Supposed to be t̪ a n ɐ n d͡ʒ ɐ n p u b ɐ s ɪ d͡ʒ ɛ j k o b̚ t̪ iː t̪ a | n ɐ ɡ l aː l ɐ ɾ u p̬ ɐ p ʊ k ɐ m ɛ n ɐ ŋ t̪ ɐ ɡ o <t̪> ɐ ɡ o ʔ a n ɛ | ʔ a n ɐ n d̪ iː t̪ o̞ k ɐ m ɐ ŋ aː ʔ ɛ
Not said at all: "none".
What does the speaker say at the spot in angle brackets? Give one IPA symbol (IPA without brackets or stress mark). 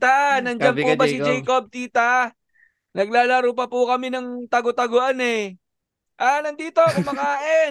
t̪